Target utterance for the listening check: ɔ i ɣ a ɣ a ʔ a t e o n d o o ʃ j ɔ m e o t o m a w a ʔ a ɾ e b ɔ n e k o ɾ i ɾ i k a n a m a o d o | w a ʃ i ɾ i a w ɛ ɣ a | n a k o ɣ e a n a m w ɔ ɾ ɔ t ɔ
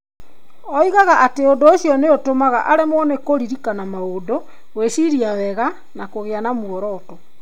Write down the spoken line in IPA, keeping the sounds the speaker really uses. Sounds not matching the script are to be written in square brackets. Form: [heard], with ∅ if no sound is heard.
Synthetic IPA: ɔ i ɣ a ɣ a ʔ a t e o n d o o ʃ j ɔ [n] e o t o m a [ɣ] a ʔ a ɾ e [m] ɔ n e k o ɾ i ɾ i k a n a m a o d o | w [e] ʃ i ɾ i a w ɛ ɣ a | n a k o ɣ e a n a m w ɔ ɾ ɔ t ɔ